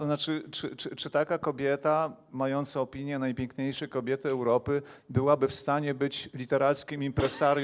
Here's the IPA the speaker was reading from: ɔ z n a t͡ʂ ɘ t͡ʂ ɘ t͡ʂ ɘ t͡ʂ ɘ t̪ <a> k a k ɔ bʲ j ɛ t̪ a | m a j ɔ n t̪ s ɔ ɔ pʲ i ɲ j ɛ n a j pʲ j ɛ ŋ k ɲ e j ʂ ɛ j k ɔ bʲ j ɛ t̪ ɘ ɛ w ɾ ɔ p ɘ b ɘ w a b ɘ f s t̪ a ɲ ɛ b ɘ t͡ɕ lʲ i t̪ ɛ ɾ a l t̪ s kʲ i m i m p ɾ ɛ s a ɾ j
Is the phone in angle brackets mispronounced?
no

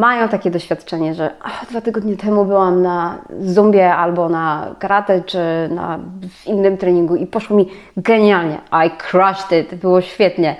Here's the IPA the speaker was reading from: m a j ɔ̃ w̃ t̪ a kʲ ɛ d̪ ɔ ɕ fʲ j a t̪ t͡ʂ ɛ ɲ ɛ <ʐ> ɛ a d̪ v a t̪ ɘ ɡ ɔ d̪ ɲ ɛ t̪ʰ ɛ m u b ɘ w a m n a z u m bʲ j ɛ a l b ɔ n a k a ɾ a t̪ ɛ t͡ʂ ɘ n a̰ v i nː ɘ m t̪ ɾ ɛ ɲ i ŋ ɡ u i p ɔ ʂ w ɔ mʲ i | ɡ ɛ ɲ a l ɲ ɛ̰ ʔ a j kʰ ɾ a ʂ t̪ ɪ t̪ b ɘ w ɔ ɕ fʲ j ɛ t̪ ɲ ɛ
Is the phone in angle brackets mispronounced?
no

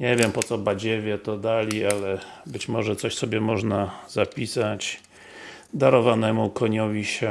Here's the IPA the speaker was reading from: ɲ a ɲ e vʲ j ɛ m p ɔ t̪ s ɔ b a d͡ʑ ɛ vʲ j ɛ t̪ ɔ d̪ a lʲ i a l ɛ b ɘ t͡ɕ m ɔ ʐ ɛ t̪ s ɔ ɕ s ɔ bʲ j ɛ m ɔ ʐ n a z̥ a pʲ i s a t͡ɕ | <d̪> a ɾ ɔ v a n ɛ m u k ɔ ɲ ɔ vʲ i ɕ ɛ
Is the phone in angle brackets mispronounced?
no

